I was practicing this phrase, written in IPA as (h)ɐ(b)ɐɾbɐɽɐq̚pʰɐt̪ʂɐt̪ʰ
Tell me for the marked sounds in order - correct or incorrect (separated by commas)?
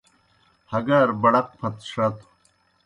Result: correct, incorrect